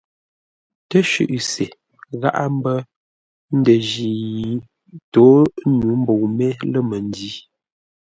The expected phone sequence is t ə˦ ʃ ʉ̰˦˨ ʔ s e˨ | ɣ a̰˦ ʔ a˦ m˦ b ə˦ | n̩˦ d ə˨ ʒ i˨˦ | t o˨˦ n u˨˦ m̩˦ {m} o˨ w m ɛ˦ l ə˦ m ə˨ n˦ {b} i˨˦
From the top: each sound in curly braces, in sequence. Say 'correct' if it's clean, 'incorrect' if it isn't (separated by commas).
incorrect, incorrect